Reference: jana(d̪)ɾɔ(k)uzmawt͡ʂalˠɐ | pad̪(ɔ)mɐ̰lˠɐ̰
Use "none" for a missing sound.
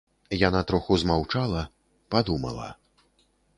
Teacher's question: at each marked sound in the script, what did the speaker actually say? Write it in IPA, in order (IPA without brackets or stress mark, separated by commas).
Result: t̪, x, u